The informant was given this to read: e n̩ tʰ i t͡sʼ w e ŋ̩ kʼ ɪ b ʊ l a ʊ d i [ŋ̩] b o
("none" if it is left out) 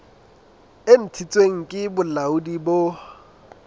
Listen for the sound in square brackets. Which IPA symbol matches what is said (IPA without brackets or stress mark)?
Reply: none